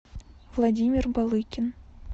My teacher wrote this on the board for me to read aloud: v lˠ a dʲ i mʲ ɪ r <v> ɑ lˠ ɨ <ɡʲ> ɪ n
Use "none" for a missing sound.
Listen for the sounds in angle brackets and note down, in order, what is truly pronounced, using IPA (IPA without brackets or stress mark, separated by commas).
b, kʲ